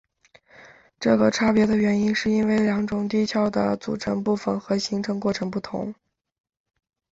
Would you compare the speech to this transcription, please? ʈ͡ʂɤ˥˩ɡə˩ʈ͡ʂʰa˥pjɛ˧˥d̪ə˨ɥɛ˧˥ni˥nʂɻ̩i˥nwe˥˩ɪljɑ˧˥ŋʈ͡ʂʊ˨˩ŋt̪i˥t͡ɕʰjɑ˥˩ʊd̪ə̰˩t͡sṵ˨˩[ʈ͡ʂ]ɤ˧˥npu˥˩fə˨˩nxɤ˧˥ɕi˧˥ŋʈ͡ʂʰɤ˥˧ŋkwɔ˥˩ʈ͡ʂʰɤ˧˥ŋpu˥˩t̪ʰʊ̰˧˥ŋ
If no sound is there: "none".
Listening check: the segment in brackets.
ʈ͡ʂʰ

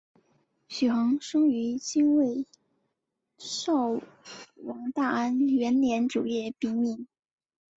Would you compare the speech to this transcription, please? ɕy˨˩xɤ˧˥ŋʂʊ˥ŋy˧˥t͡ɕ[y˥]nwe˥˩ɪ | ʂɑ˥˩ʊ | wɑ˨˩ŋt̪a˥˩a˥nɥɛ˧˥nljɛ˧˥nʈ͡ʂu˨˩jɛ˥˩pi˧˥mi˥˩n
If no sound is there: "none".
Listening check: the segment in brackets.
i˥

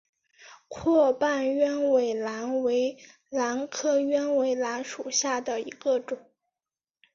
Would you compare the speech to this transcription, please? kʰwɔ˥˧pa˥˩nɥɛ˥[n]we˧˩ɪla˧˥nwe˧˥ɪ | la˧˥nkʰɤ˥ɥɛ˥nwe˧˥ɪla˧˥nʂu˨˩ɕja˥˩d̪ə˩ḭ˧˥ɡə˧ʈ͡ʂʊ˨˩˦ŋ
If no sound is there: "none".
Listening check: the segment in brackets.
n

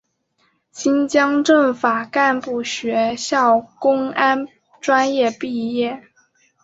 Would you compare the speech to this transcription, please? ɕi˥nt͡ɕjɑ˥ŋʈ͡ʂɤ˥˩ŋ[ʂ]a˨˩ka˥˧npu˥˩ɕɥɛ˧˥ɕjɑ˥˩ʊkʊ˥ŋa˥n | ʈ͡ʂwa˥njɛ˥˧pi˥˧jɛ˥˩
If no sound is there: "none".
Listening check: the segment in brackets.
f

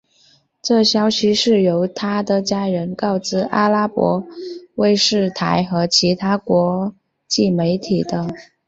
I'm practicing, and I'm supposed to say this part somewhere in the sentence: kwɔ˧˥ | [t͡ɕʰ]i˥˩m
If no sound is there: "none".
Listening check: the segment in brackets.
t͡ɕ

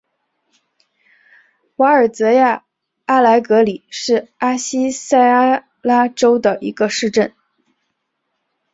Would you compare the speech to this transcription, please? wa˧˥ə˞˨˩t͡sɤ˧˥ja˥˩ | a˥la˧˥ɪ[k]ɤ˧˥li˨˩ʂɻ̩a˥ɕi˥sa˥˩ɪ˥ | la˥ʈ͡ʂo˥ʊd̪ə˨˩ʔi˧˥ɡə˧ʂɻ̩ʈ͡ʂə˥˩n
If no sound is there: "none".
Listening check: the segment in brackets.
k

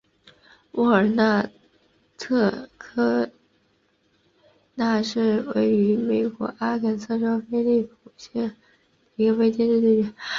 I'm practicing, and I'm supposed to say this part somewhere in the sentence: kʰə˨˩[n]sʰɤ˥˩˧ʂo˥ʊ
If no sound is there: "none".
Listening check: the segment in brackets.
n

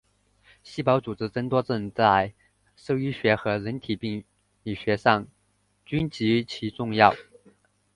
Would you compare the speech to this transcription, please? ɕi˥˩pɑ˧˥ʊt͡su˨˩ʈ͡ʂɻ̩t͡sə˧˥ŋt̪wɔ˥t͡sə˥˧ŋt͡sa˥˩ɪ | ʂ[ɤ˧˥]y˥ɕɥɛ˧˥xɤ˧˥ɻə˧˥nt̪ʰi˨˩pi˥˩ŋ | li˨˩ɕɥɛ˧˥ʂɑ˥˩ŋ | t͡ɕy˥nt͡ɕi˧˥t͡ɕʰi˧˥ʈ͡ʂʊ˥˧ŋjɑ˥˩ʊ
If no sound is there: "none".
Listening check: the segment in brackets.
ɤ˥˩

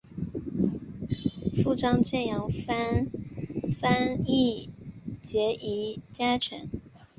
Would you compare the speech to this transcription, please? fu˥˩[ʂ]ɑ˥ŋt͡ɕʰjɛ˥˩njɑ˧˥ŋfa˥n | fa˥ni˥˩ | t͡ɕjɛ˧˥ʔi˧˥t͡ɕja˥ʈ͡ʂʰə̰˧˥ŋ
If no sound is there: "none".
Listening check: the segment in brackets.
ʈ͡ʂ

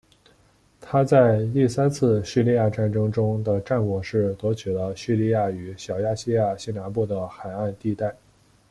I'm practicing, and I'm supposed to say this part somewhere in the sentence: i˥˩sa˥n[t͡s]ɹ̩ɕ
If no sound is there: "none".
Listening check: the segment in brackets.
t͡sʰ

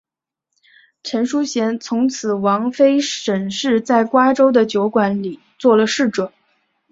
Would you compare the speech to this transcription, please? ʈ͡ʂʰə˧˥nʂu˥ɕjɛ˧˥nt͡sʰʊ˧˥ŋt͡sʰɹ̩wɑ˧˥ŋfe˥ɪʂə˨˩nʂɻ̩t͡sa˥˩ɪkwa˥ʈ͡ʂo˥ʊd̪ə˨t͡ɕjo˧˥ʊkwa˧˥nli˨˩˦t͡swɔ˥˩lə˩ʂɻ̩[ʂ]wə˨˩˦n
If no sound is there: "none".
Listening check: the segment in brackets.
ʈ͡ʂ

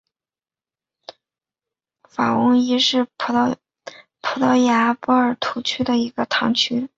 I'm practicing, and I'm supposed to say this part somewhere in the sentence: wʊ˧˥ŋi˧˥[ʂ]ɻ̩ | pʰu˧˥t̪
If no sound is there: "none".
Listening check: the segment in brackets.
ʂ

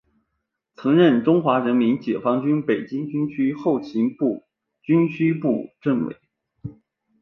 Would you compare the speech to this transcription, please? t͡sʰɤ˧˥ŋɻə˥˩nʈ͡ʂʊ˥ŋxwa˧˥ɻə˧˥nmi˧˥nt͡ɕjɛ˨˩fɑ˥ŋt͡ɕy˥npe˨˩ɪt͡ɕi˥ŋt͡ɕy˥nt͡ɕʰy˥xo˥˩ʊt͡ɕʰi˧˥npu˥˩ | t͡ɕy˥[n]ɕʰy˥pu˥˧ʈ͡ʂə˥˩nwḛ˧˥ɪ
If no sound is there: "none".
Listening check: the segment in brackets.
n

